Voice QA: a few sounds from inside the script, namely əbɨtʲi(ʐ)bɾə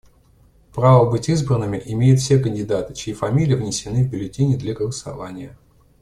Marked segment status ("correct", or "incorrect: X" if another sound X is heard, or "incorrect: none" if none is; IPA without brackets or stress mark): incorrect: z